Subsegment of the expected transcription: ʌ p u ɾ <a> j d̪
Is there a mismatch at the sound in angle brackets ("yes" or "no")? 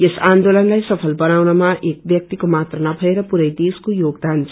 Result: yes